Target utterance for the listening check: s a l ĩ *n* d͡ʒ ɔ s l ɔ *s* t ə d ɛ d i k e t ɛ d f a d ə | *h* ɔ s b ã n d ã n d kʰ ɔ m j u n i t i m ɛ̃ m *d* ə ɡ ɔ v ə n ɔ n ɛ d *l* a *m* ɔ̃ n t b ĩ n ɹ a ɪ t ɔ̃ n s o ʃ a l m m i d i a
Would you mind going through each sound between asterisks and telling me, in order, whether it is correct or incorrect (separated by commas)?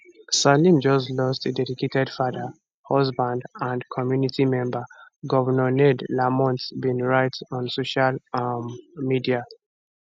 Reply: incorrect, correct, correct, incorrect, correct, correct